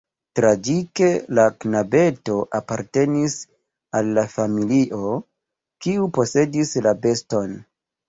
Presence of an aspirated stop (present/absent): absent